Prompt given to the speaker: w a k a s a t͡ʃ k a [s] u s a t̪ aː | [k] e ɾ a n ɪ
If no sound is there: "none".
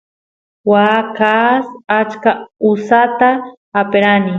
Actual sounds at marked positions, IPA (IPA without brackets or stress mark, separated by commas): none, p